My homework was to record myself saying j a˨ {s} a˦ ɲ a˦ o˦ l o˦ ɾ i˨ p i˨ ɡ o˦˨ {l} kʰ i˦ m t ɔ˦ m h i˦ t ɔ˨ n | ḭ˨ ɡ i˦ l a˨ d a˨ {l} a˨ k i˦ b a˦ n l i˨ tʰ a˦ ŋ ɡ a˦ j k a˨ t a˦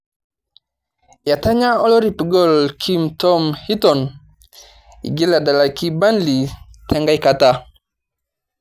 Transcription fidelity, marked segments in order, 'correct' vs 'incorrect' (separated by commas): incorrect, correct, correct